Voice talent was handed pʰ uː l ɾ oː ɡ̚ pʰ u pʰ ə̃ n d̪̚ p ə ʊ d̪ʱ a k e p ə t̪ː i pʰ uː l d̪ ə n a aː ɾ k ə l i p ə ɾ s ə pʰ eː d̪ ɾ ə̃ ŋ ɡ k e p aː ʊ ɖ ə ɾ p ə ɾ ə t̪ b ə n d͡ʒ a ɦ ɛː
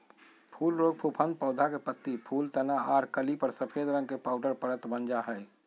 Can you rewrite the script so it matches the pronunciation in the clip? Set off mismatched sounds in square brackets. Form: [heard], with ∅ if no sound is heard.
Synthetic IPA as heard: pʰ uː l ɾ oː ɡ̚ pʰ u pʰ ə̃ n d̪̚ p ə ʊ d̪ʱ a k e p ə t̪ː i pʰ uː l [t̪] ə n a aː ɾ k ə l i p ə ɾ s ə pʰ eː d̪ ɾ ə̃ ŋ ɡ k e p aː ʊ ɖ ə ɾ p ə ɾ ə t̪ b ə n d͡ʒ a ɦ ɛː

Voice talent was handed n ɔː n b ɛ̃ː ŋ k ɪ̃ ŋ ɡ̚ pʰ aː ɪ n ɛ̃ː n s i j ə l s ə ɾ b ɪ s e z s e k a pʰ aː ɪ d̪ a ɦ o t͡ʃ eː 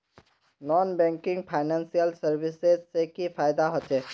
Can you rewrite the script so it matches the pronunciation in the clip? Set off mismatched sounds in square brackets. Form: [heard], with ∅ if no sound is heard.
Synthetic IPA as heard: n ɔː n b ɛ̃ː ŋ k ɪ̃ ŋ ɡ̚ pʰ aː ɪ n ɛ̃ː n s i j ə l s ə ɾ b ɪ s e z s e k [i] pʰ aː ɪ d̪ a ɦ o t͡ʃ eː

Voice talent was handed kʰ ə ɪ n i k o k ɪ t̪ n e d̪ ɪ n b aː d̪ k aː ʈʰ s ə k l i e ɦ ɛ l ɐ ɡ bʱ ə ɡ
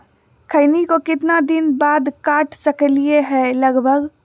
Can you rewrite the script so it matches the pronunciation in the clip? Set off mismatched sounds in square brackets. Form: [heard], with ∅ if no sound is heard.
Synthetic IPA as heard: kʰ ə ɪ n i k o k ɪ t̪ n [a] d̪ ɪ n b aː d̪ k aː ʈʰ s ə k l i e ɦ ɛ l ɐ ɡ bʱ ə ɡ

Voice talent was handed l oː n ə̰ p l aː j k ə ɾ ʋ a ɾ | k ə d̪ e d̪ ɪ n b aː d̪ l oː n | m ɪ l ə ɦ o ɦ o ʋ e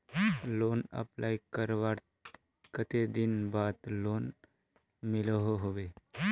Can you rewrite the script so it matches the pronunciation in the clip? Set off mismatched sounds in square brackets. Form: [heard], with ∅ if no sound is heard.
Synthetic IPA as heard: l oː n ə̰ p l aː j k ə ɾ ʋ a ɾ | k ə [t̪] e d̪ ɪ n b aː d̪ l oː n | m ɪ l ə ɦ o ɦ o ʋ e

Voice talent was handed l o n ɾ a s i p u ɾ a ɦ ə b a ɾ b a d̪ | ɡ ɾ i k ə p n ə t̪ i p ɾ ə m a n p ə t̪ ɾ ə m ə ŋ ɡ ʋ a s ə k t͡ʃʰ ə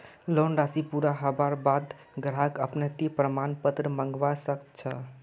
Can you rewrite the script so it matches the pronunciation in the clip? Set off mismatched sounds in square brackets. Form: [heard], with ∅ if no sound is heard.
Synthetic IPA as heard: l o n ɾ a s i p u ɾ a ɦ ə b a ɾ b a d̪ | ɡ ɾ [a] k ə p n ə t̪ i p ɾ ə m a n p ə t̪ ɾ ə m ə ŋ ɡ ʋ a s ə k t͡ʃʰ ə

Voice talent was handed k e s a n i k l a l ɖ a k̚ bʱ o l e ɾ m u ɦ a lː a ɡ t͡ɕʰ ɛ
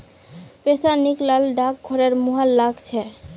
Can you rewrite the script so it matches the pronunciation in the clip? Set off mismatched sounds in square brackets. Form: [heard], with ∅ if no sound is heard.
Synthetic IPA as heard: [p] e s a n i k l a l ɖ a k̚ [ɡʱ] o [ɾ] e ɾ m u ɦ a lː a ɡ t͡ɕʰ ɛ

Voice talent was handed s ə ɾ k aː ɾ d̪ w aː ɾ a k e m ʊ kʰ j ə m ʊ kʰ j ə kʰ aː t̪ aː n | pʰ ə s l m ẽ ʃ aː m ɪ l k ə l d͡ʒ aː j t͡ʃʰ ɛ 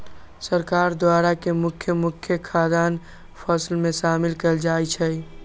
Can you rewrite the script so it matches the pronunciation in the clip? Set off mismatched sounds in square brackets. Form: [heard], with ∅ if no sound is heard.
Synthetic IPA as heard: s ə ɾ k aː ɾ d̪ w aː ɾ a k e m ʊ kʰ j ə m ʊ kʰ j ə kʰ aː [d̪] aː n | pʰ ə s l m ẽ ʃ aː m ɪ l k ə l d͡ʒ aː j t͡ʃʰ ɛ

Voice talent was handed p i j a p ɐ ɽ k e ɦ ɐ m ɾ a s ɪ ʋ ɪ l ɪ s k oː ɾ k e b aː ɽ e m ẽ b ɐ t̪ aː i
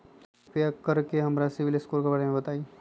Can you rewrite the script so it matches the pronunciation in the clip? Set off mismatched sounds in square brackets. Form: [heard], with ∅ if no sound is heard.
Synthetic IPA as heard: p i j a [k] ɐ [ɾ] k e ɦ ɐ m ɾ a s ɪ ʋ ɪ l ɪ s k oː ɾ k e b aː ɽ e m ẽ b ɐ t̪ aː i

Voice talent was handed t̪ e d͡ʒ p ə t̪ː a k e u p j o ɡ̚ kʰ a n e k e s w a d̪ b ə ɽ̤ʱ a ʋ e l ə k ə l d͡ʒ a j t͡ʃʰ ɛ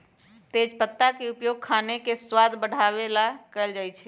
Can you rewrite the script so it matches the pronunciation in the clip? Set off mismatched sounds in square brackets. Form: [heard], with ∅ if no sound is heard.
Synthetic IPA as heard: t̪ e d͡ʒ p ə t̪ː a k e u p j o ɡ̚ kʰ a n e k e s w a d̪ b ə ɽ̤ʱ a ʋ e l [a] k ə l d͡ʒ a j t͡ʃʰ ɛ

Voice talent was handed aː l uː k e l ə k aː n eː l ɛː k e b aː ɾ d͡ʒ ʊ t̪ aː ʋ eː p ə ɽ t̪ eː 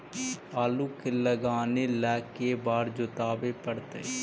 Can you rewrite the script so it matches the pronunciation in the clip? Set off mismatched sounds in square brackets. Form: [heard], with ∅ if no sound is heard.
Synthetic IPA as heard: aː l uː k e l ə [ɡ] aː n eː l ɛː k e b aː ɾ d͡ʒ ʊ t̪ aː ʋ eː p ə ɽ t̪ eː

